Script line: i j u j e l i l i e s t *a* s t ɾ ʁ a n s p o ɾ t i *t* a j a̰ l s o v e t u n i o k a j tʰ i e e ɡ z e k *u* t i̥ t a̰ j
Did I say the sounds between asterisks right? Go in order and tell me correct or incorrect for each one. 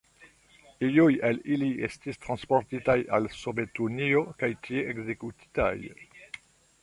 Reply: incorrect: i, correct, correct

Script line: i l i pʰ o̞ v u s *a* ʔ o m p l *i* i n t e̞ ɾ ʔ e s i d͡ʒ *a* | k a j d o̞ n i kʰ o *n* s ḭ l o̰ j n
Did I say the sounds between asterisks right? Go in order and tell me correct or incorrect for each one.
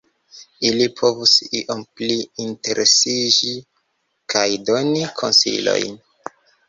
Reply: incorrect: i, correct, incorrect: i, correct

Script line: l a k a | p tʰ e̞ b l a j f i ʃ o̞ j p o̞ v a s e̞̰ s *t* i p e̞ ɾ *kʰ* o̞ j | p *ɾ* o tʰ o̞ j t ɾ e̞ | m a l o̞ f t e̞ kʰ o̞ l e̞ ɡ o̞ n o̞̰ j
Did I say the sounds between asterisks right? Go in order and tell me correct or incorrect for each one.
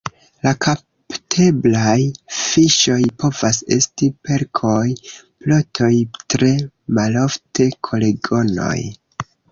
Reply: correct, correct, incorrect: l

